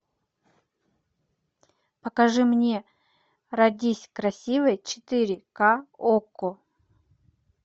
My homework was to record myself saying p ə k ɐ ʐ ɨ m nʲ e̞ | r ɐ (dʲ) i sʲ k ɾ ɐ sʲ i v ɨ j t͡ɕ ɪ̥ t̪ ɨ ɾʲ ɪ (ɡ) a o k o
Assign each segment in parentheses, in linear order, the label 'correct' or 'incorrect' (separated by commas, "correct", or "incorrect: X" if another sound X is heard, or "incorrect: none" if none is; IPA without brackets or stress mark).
correct, incorrect: k